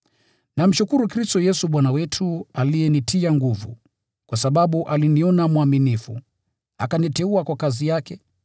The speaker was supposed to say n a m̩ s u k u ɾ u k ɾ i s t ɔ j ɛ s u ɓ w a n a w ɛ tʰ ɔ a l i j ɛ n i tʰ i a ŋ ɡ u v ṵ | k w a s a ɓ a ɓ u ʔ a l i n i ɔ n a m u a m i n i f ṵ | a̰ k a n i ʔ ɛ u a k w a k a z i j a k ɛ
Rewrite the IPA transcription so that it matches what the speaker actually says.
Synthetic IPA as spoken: n a m̩ ʃ u k u ɾ u k ɾ i s t ɔ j ɛ s u ɓ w a n a w ɛ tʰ u a l i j ɛ n i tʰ i a ŋ ɡ u v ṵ | k w a s a ɓ a ɓ u ʔ a l i n i ɔ n a m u a m i n i f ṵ | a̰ k a n i t ɛ u a k w a k a z i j a k ɛ

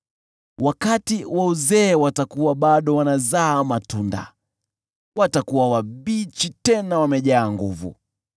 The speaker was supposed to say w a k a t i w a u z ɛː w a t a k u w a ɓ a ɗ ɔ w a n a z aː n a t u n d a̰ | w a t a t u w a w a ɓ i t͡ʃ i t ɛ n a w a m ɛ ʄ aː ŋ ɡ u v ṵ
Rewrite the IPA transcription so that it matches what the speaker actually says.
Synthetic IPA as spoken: w a k a t i w a u z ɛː w a t a k u w a ɓ a ɗ ɔ w a n a z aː m a t u n d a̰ | w a t a k u w a w a ɓ i t͡ʃ i t ɛ n a w a m ɛ ʄ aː ŋ ɡ u v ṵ

